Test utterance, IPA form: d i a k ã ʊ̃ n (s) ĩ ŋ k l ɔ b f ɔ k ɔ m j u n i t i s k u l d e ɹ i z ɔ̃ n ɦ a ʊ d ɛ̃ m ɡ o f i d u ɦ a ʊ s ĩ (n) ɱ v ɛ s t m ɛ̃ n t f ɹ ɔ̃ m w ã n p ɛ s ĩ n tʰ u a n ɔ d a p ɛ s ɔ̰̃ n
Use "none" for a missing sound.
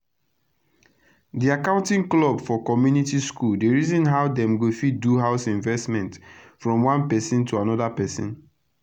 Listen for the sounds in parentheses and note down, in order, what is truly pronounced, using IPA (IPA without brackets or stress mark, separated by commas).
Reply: t, none